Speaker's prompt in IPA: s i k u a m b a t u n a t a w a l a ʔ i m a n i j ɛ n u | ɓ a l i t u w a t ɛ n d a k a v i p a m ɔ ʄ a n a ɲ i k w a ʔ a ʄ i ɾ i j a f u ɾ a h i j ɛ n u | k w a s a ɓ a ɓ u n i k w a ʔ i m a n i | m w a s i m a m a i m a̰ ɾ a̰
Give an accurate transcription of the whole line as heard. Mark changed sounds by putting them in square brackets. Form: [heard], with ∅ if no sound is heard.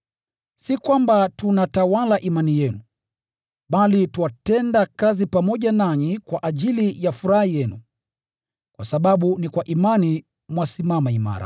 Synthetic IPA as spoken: s i k [w] a m b a t u n a t a w a l a ʔ i m a n i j ɛ n u | ɓ a l i t u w a t ɛ n d a k a [z] i p a m ɔ ʄ a n a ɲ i k w a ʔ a ʄ i [l] i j a f u ɾ a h i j ɛ n u | k w a s a ɓ a ɓ u n i k w a ʔ i m a n i | m w a s i m a m a i m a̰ ɾ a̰

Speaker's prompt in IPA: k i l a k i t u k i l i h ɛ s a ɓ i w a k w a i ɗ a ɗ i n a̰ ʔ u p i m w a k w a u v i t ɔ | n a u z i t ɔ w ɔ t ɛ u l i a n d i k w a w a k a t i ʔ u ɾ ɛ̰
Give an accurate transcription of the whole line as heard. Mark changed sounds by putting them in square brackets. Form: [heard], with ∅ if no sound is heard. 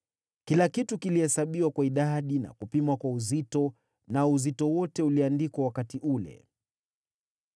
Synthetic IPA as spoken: k i l a k i t u k i l i h ɛ s a ɓ i w a k w a i ɗ a ɗ i n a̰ [k] u p i m w a k w a u [z] i t ɔ | n a u z i t ɔ w ɔ t ɛ u l i a n d i k w a w a k a t i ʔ u [l] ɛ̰

